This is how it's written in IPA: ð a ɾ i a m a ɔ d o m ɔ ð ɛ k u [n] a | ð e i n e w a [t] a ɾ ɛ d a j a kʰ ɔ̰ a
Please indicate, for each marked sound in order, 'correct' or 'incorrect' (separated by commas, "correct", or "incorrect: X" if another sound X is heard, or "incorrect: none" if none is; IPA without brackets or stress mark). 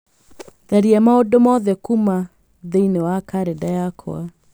incorrect: m, incorrect: k